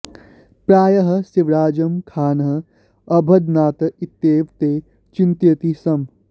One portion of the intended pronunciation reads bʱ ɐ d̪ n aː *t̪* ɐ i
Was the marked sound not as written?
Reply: no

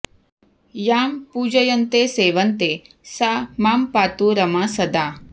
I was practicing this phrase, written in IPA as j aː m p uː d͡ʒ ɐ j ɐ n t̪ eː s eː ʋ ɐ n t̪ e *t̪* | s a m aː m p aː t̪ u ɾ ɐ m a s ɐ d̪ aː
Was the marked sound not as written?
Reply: yes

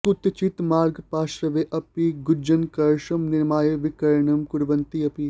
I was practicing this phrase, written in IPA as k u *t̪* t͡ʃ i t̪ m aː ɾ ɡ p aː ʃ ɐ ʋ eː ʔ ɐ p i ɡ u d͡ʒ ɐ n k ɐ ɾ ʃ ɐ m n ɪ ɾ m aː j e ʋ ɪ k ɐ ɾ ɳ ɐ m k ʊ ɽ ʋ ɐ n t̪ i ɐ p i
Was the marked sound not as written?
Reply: no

